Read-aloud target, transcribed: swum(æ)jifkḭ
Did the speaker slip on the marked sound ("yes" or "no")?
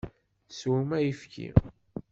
no